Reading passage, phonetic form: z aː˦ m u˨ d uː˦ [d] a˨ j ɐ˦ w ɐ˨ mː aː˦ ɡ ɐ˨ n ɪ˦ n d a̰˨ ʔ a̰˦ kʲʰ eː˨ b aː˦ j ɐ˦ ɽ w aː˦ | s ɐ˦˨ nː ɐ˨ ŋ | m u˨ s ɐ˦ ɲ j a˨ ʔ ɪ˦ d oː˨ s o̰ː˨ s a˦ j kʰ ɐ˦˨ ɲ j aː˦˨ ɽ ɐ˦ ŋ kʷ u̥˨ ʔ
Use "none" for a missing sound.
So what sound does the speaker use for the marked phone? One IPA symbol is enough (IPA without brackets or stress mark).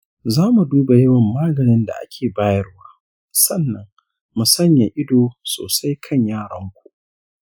b